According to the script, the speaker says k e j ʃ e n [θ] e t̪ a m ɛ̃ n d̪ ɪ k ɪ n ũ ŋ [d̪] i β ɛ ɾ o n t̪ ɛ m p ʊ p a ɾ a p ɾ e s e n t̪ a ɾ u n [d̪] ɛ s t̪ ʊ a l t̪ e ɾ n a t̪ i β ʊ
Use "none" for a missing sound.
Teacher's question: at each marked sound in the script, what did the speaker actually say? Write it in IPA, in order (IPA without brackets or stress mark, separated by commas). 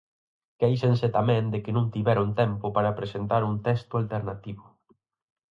s, t̪, t̪